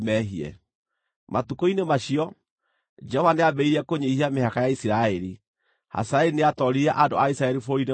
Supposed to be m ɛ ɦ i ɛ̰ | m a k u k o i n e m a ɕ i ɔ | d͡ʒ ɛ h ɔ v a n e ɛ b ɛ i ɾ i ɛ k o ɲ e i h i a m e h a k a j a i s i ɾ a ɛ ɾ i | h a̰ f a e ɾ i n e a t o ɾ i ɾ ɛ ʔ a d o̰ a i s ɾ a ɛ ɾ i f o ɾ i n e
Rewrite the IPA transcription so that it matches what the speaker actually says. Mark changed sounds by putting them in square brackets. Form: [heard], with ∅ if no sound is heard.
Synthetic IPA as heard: m ɛ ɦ i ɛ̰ | m a [t] u k o i n e m a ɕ i ɔ | d͡ʒ ɛ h ɔ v a n e [a] b ɛ i ɾ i ɛ k o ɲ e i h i a m e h a k a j a i s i ɾ a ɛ ɾ i | h a̰ [s] a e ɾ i n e a t [ɔ] ɾ i ɾ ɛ ʔ a d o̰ a i s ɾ a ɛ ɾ i f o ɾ i n e